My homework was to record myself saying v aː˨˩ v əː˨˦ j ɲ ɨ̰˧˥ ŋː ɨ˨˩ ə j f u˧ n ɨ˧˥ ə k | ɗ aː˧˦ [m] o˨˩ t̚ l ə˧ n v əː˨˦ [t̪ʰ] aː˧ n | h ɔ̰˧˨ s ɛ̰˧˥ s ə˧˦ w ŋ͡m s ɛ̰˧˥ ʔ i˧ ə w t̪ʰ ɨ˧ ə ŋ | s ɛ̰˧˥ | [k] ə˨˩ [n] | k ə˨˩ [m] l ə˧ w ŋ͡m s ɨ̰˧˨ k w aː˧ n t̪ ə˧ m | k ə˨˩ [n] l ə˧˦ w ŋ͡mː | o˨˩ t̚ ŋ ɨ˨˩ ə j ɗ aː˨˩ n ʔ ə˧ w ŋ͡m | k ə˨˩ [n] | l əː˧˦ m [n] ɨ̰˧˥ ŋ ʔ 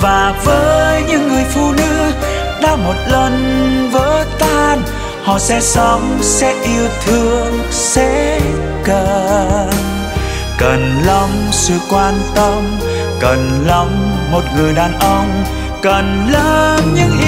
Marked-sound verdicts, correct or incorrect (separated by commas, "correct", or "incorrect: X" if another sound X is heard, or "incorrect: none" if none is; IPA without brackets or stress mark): correct, incorrect: t̪, correct, correct, incorrect: n, correct, correct, incorrect: ɲ